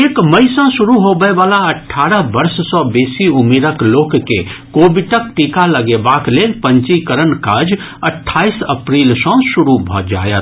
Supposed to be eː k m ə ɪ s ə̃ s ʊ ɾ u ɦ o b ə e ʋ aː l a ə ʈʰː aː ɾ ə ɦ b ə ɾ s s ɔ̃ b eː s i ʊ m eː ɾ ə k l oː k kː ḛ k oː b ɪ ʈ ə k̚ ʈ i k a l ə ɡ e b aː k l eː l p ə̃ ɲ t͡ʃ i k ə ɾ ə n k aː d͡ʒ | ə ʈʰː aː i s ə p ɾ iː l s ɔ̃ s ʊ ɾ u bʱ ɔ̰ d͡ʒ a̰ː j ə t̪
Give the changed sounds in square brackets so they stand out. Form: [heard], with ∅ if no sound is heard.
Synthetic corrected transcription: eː k m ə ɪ s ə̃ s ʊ ɾ u ɦ o b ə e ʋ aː l a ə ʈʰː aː ɾ ə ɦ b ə ɾ s s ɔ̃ b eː s i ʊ m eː ɾ ə k l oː k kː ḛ k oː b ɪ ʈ ə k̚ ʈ i k a l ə ɡ e b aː k l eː l p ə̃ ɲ t͡ʃ i k ə ɾ ə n k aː d͡ʒ | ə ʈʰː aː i s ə p ɾ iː l s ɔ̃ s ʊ ɾ u bʱ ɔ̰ d͡ʒ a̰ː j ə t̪